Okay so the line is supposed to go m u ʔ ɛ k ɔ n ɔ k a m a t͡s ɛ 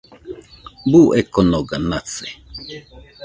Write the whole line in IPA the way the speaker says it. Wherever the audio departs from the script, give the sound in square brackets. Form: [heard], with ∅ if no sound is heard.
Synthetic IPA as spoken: [b] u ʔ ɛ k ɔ n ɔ [ɡ] a [n] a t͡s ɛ